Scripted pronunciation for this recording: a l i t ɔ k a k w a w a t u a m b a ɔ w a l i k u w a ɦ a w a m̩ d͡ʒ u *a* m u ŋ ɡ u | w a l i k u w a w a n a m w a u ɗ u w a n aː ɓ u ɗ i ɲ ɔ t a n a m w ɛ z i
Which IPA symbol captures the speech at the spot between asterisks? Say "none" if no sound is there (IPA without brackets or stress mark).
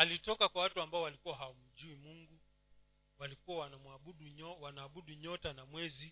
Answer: i